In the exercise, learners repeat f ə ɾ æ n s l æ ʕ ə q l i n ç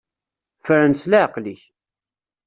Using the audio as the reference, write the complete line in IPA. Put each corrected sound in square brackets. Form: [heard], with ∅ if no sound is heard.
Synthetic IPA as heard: f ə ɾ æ n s l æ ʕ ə q l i [∅] ç